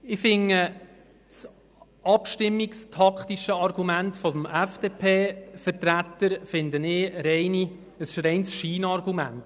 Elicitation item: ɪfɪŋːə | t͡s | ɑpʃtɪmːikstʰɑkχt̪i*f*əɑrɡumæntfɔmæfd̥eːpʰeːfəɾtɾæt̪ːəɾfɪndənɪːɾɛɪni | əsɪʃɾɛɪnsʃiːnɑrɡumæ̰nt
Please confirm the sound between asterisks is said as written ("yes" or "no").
no